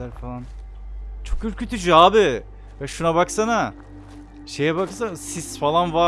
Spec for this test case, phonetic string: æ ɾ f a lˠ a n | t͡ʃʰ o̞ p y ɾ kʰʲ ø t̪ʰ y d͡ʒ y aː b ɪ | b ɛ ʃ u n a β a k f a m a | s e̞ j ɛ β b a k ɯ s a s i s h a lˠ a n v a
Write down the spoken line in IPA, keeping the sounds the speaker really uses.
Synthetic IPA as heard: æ ɾ f a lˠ a n | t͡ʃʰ o̞ k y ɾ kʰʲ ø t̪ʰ y d͡ʒ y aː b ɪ | v ɛ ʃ u n a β a k s a n a | ʃ e̞ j ɛ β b a k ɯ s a s i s f a lˠ a n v a